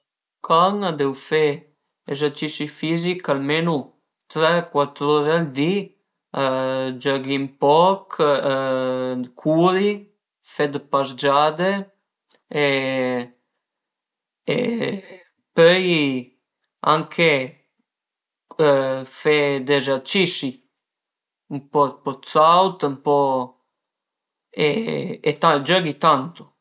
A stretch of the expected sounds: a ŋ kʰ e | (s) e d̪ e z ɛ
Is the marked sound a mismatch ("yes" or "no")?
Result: yes